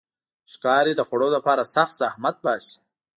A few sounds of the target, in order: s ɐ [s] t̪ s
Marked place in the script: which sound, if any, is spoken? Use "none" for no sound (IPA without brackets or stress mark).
x